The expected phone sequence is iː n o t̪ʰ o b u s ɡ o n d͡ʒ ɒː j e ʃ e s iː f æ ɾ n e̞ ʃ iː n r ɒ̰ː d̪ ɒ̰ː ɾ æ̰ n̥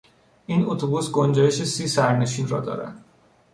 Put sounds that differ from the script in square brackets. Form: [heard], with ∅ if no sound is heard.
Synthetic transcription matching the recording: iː n o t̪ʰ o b u s ɡ o n d͡ʒ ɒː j e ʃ e s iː [s] æ ɾ n e̞ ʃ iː n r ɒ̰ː d̪ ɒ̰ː ɾ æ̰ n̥